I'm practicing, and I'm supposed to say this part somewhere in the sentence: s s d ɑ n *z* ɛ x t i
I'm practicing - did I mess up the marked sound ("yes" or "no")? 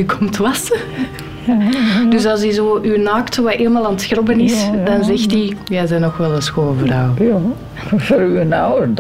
no